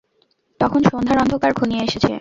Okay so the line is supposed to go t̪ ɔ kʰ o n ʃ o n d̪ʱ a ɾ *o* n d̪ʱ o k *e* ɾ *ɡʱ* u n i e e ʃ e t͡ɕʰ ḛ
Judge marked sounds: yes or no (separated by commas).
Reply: no, no, yes